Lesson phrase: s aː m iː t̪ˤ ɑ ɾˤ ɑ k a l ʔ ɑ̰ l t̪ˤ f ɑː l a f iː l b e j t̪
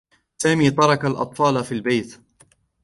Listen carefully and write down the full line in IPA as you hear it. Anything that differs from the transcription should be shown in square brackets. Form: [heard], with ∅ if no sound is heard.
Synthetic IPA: s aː m iː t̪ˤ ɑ ɾˤ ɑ k a l ʔ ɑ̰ [∅] t̪ˤ f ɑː l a f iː l b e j t̪